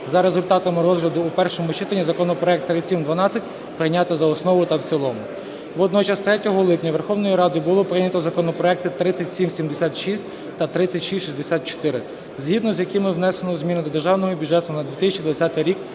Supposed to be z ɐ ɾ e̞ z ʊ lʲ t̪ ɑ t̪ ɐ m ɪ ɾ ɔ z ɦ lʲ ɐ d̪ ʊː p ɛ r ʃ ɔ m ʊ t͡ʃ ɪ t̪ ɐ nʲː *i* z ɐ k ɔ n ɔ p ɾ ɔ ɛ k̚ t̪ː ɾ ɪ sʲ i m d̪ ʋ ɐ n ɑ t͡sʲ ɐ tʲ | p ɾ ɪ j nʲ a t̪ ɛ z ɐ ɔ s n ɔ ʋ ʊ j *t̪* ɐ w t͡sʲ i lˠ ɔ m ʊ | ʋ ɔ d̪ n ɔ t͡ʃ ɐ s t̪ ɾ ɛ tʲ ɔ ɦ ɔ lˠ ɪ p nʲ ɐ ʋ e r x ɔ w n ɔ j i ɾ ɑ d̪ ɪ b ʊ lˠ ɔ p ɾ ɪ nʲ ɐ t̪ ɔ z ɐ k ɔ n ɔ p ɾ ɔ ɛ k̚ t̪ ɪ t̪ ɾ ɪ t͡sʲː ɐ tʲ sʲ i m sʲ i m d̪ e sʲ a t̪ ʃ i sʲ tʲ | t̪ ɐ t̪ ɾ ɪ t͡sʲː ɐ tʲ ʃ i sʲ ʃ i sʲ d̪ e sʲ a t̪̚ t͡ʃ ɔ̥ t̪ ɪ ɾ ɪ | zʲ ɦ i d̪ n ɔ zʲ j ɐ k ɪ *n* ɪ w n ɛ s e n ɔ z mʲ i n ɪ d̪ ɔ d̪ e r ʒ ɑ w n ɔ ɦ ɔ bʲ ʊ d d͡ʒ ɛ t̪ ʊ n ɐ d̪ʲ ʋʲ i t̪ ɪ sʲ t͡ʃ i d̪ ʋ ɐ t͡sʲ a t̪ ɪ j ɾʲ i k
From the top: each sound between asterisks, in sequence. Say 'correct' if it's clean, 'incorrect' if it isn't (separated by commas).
correct, correct, incorrect